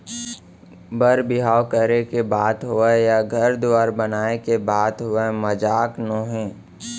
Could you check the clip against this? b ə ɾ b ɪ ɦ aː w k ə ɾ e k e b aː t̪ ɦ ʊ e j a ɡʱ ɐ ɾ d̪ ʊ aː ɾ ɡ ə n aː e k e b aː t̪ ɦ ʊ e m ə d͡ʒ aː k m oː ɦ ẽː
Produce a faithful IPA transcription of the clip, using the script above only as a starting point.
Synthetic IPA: b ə ɾ b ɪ ɦ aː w k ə ɾ e k e b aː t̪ ɦ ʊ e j a ɡʱ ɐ ɾ d̪ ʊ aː ɾ b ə n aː e k e b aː t̪ ɦ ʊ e m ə d͡ʒ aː k n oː ɦ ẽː